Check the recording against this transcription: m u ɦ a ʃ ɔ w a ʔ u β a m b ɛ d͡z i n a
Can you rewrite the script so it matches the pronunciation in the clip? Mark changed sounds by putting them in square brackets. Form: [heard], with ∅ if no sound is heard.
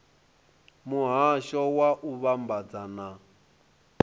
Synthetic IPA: m u ɦ a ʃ ɔ w a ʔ u β a m b [a] d͡z [a] n a

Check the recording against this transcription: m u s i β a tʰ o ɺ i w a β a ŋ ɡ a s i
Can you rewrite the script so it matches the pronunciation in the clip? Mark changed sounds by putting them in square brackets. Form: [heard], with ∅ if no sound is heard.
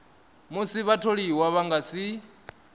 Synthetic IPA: m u s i β a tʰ o ɺ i w a β a ŋ ɡ a s i

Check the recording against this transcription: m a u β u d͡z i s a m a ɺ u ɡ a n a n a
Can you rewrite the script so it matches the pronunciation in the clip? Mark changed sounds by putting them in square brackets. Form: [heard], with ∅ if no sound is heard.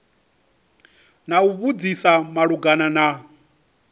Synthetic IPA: [n] a u β u d͡z i s a m a ɺ u ɡ a n a n a

